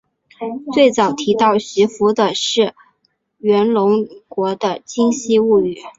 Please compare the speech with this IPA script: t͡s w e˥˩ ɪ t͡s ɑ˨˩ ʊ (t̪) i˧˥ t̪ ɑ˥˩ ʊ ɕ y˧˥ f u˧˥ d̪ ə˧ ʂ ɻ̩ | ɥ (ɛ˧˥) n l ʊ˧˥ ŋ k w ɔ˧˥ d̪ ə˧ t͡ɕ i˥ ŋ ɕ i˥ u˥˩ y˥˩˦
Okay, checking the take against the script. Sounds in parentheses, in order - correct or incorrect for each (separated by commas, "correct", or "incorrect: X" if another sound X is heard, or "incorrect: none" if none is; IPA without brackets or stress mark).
incorrect: t̪ʰ, correct